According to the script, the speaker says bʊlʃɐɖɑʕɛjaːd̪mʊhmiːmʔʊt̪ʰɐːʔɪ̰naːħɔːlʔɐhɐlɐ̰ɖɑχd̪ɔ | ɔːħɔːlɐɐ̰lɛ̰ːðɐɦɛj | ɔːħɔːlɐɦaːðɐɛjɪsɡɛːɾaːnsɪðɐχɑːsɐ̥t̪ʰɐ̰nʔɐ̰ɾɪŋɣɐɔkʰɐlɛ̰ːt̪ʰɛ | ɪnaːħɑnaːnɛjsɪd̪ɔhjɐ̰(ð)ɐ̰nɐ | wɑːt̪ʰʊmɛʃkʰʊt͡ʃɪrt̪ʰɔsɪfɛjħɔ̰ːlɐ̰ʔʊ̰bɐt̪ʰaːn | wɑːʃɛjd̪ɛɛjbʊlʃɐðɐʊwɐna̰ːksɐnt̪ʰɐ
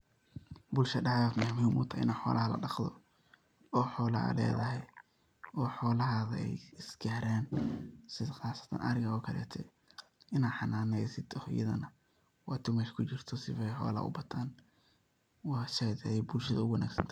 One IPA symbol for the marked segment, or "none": ð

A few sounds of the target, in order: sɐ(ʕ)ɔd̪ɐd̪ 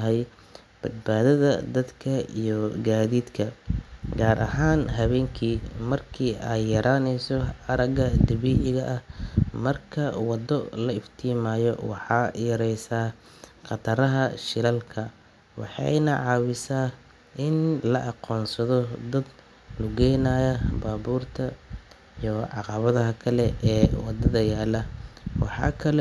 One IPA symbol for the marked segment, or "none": ð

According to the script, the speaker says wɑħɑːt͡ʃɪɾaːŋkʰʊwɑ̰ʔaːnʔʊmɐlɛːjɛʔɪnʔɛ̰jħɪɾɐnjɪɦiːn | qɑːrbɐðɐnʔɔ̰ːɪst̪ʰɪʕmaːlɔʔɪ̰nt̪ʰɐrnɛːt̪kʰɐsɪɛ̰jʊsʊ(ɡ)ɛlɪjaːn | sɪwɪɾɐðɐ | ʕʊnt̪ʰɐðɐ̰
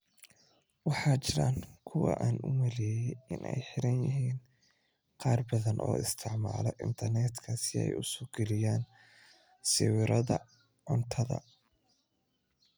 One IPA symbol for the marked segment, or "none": ɡ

